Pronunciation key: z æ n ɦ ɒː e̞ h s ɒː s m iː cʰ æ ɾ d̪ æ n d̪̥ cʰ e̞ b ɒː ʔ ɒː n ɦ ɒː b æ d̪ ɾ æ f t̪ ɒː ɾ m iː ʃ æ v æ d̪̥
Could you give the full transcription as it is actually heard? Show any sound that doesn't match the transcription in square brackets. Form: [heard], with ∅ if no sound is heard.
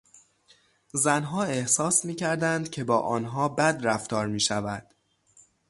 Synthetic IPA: z æ n ɦ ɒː e̞ h s ɒː s m iː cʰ æ ɾ d̪ æ n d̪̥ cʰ e̞ b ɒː ʔ ɒː n ɦ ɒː b æ d̪ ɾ æ f t̪ ɒː ɾ m iː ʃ æ v æ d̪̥